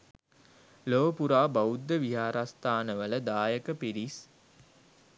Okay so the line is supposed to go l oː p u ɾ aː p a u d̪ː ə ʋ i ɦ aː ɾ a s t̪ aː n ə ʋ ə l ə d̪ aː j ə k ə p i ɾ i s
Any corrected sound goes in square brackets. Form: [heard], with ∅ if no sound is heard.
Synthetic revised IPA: l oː p u ɾ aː [b] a u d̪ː ə ʋ i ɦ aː ɾ a s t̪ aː n ə ʋ ə l ə d̪ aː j ə k ə p i ɾ i s